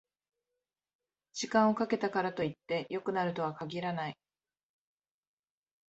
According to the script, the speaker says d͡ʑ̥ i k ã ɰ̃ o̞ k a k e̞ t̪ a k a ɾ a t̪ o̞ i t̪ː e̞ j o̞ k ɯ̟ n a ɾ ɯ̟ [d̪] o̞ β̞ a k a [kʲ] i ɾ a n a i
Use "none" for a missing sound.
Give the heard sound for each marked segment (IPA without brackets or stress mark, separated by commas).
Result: t̪, ɡʲ